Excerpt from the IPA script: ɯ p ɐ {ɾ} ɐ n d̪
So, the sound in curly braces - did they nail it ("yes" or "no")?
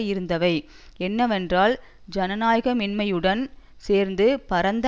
yes